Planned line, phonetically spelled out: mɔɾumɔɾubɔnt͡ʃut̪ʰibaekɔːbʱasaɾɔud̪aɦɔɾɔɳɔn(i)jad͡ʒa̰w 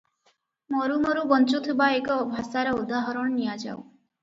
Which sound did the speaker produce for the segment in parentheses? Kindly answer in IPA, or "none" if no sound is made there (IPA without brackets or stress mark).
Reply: i